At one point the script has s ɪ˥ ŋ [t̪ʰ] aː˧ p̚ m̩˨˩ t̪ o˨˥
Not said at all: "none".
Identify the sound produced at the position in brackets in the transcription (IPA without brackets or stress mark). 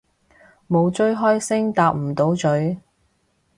t̪